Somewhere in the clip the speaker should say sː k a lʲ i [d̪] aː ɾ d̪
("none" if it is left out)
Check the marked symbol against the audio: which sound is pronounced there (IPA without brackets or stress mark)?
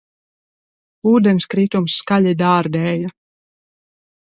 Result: d̪